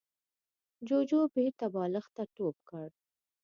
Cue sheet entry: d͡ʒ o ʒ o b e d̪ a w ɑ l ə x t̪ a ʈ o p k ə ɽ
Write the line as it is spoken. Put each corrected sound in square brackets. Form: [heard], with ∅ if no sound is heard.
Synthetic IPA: d͡ʒ o [d͡ʒ] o b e [t̪] a [b] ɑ l ə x t̪ a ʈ o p k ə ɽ